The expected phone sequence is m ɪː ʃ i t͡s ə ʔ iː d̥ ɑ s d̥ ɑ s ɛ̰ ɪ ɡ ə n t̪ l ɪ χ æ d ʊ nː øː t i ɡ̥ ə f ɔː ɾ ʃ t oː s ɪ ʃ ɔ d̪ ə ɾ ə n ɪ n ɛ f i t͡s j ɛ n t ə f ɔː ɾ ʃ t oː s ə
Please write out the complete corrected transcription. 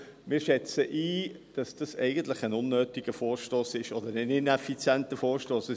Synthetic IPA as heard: m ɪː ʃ ɛ t͡s ə ʔ iː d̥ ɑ s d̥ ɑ s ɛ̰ ɪ ɡ ə n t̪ l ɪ χ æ n ʊ nː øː t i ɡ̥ ə f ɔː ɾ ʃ t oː s ɪ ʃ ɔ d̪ ə ɾ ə n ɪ n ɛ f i t͡s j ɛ n t ə f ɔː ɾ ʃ t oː s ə